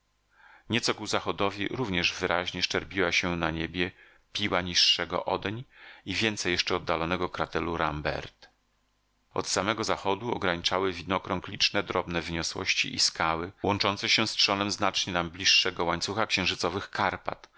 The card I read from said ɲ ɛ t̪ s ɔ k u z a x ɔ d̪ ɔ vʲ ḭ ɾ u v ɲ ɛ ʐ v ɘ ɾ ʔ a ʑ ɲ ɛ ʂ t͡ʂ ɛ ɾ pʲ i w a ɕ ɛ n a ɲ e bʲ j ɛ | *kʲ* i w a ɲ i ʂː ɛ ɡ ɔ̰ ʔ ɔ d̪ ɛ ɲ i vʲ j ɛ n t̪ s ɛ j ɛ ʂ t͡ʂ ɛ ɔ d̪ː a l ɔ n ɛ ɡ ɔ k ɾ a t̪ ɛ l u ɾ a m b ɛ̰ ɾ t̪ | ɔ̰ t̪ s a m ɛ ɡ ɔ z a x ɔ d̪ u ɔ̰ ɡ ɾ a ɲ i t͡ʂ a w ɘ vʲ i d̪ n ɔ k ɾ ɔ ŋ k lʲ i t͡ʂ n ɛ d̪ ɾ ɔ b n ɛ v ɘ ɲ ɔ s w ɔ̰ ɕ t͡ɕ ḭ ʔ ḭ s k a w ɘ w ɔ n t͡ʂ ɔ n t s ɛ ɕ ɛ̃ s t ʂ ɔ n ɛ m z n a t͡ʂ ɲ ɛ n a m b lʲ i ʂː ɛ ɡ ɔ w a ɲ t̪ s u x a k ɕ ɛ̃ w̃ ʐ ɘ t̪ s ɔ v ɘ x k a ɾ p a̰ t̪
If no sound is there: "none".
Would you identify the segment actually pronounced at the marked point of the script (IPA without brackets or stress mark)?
pʲ